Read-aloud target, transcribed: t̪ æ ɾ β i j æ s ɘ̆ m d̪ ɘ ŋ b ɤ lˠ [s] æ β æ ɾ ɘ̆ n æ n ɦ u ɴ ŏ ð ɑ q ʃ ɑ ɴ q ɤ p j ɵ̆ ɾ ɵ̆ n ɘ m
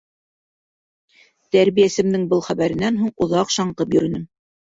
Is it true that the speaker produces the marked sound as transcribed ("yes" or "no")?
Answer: no